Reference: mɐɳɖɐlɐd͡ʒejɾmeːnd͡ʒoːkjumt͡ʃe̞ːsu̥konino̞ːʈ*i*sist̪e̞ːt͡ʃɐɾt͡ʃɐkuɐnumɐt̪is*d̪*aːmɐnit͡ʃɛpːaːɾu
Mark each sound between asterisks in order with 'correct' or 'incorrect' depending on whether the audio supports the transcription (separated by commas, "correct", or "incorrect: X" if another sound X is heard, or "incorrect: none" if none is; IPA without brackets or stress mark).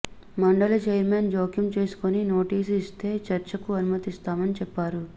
incorrect: iː, incorrect: t̪